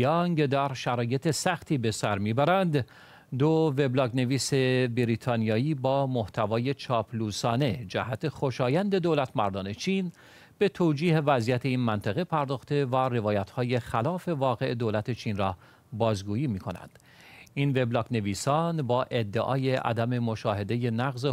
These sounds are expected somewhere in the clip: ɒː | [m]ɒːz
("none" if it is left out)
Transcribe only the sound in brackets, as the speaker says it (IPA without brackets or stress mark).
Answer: b